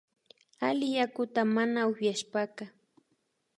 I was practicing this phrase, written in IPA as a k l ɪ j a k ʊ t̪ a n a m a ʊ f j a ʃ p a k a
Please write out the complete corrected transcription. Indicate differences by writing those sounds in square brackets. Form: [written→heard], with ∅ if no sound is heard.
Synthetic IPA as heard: a [k→∅] l ɪ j a k ʊ t̪ a [n→m] a [m→n] a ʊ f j a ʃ p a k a